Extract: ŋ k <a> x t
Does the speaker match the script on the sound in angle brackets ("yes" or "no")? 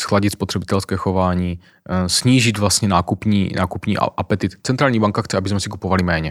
yes